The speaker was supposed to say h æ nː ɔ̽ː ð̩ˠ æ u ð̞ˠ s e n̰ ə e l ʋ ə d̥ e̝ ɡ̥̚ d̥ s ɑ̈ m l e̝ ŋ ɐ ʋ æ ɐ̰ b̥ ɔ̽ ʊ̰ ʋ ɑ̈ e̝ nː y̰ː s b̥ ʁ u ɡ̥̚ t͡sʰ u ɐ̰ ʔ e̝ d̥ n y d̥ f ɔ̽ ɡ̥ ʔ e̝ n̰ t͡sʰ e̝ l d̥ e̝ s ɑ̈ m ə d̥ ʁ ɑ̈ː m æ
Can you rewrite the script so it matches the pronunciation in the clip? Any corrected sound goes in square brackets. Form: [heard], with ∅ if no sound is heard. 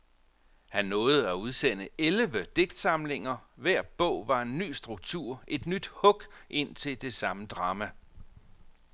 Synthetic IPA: h æ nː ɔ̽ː ð̩ˠ æ u ð̞ˠ s e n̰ ə e l ʋ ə d̥ e̝ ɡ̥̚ d̥ s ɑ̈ m l e̝ ŋ ɐ ʋ æ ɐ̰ b̥ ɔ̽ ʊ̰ ʋ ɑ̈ e̝ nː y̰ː s [d̥] ʁ u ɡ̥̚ t͡sʰ u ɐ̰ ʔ e̝ d̥ n y d̥ [h] ɔ̽ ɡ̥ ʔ e̝ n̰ t͡sʰ e̝ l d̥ e̝ s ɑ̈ m ə d̥ ʁ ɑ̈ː m æ